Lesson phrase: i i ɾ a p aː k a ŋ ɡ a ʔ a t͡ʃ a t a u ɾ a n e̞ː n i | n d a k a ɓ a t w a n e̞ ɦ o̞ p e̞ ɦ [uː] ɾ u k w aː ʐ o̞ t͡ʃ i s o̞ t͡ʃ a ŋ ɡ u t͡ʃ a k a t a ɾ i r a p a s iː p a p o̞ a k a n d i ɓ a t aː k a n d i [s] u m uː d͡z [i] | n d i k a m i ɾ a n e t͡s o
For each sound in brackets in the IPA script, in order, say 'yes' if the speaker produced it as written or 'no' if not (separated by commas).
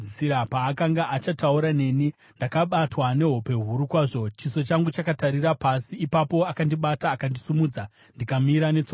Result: no, yes, no